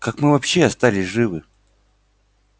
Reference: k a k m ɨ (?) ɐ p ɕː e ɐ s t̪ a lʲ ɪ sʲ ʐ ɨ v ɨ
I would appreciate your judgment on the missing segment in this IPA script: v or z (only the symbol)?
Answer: v